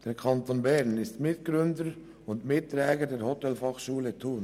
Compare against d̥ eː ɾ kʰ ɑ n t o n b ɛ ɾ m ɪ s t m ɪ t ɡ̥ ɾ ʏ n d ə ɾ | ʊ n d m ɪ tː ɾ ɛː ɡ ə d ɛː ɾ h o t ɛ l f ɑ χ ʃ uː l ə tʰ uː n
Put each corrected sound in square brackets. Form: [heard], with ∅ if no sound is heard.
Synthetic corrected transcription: d̥ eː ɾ kʰ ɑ n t o n b ɛ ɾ [n] ɪ s t m ɪ t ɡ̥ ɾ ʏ n d ə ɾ | ʊ n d m ɪ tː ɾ ɛː ɡ ə d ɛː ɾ h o t ɛ l f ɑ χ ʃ uː l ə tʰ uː n